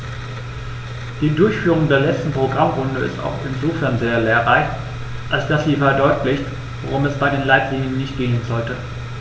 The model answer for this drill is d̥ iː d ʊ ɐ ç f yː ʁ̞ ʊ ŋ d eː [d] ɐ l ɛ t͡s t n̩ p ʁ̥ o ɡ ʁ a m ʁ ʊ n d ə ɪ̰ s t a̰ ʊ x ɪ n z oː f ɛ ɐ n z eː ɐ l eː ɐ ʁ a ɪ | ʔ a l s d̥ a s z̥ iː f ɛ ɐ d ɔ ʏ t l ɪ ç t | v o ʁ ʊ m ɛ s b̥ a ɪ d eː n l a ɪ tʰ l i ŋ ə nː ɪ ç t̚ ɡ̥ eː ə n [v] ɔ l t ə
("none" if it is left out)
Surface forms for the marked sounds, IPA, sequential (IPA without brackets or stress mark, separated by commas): none, z